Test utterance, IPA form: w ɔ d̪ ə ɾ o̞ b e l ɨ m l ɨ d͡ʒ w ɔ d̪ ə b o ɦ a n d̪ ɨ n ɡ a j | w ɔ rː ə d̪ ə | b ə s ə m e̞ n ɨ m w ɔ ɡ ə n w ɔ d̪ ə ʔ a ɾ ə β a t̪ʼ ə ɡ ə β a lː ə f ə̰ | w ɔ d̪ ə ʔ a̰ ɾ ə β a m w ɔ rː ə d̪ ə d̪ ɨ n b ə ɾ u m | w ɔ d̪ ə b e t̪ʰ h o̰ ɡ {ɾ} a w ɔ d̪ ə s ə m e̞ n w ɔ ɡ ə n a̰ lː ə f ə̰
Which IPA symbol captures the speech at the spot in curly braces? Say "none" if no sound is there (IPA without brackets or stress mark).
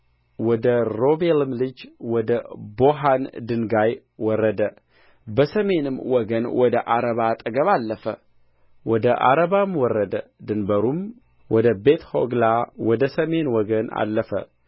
l